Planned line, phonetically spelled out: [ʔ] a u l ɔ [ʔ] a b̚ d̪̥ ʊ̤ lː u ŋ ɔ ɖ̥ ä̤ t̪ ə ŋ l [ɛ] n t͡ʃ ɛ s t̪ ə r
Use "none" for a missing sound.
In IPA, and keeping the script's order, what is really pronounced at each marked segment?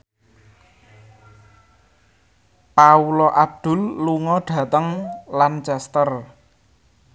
p, ʔ, a

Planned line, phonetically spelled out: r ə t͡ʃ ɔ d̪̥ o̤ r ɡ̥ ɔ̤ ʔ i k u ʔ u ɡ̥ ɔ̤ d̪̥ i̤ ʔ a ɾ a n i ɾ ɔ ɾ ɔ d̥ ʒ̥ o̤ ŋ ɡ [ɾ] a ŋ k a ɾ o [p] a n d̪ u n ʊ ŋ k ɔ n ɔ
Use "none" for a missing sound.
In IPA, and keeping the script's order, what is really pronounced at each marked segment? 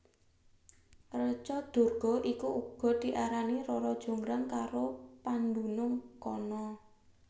ɾ, p

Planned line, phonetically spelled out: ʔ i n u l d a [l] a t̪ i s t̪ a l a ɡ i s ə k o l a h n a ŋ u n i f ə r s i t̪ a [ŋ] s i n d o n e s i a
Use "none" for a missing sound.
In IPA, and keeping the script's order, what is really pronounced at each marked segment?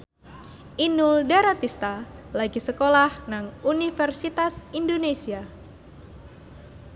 ɾ, none

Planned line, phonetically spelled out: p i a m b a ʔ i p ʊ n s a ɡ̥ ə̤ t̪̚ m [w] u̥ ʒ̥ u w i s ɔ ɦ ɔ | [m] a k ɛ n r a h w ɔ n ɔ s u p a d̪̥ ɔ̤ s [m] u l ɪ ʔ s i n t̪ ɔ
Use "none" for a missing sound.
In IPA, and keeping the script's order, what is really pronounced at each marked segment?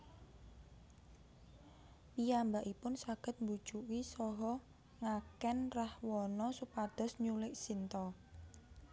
b, ŋ, ɲ

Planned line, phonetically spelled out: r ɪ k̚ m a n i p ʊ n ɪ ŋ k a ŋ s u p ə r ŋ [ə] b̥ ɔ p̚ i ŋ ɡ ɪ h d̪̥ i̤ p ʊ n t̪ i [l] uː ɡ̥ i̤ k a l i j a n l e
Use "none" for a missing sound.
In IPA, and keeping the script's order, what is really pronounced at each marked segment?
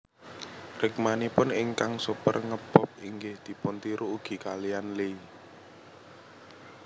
ə, ɾ

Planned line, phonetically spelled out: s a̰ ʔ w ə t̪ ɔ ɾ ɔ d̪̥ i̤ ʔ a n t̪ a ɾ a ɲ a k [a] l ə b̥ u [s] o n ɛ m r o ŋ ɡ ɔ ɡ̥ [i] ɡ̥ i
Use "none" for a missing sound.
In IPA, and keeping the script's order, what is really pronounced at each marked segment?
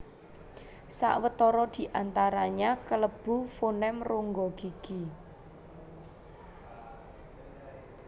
ə, f, i

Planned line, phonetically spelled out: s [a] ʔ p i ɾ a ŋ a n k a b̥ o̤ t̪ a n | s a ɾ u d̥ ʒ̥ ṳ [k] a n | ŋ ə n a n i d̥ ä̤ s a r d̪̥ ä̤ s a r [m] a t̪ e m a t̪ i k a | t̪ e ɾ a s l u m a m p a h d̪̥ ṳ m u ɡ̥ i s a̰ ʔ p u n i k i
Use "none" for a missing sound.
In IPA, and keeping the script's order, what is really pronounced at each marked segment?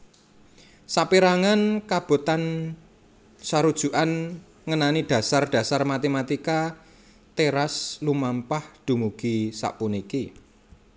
a, ʔ, m

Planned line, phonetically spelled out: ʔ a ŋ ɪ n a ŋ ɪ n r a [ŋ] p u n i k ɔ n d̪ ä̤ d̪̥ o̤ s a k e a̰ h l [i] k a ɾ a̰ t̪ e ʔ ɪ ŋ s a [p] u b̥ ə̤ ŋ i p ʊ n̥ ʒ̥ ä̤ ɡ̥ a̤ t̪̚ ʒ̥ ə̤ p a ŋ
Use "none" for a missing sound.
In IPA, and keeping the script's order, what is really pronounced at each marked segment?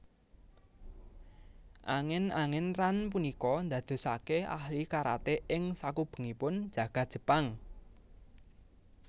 n, i, k

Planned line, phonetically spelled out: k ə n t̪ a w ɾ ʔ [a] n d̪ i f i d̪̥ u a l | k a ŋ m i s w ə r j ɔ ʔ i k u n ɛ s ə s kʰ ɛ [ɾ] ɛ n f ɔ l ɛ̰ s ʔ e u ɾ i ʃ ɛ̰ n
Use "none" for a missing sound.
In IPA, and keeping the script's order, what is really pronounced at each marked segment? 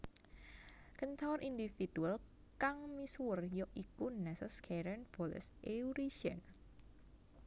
i, ɾ

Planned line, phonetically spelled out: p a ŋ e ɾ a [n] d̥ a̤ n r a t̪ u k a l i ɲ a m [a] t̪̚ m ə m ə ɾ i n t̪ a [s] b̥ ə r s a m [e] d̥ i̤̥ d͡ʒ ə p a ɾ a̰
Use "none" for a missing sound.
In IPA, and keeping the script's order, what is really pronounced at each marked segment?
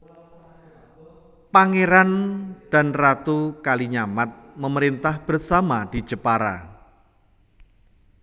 n, a, h, a

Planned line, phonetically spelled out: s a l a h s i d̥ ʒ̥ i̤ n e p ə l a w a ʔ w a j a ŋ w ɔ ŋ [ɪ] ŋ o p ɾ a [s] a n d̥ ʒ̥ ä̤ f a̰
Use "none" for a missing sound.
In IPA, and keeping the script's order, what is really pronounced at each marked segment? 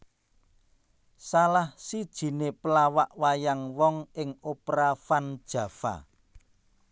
ɪ, f

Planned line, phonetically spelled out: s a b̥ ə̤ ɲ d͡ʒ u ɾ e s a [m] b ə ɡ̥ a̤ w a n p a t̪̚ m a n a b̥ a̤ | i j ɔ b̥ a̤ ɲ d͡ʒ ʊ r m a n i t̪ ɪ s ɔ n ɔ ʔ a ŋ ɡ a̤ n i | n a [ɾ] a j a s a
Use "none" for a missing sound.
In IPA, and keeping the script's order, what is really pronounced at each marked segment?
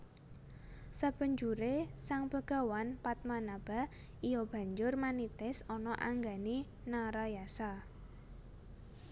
ŋ, ɾ

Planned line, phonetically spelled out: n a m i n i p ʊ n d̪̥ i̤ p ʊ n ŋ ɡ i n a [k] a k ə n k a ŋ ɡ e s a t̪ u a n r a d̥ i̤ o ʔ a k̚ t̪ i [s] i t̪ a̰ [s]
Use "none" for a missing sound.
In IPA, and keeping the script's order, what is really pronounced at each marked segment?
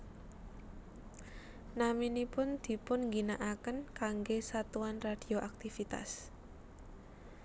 ʔ, f, s

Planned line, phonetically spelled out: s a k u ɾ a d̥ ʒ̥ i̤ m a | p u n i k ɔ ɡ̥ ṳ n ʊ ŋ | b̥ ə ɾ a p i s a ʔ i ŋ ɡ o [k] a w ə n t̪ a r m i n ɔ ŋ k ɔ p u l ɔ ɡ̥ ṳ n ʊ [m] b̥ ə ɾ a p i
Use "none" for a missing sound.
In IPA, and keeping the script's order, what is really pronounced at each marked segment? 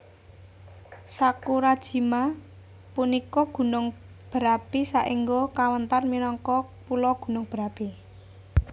k, ŋ

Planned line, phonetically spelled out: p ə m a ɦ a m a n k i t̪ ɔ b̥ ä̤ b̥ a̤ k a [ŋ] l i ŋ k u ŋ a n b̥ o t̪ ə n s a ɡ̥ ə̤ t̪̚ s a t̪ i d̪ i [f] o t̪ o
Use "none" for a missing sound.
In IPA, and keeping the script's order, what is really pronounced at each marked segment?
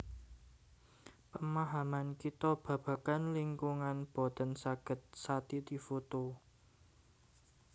n, f

